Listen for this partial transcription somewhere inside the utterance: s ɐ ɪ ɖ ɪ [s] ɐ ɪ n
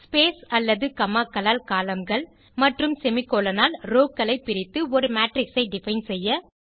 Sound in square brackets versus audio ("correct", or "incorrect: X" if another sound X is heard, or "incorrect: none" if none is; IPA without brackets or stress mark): incorrect: f